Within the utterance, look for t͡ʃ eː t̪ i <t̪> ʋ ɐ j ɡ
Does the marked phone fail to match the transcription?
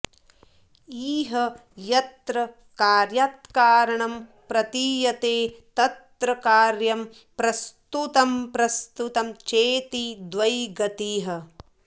yes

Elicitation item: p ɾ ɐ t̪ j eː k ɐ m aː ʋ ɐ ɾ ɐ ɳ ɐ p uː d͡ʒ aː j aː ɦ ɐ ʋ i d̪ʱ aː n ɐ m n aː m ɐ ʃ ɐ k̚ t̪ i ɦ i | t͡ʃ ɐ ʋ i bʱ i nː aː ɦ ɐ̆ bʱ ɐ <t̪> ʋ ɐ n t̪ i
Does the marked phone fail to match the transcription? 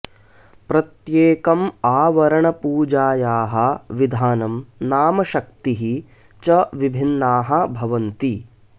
yes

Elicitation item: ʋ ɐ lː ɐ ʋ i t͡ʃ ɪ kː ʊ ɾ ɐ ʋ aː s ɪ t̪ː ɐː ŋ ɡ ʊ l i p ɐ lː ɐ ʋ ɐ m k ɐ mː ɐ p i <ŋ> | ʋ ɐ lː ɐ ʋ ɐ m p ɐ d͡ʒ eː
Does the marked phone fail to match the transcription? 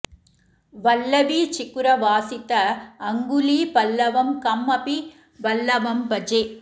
yes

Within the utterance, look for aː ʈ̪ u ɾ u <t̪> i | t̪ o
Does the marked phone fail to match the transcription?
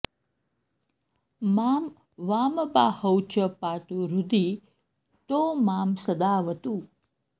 yes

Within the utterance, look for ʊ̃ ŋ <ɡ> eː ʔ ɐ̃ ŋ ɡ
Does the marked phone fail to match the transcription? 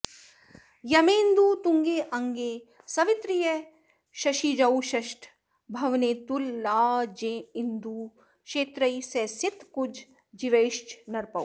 no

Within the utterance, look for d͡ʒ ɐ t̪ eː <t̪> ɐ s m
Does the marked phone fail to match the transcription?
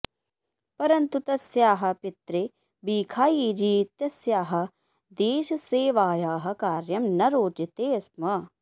yes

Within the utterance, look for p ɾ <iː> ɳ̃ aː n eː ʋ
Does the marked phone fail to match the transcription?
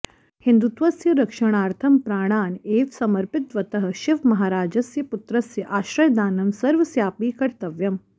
yes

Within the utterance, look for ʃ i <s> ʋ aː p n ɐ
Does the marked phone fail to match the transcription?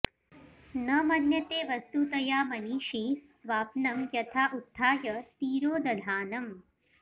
no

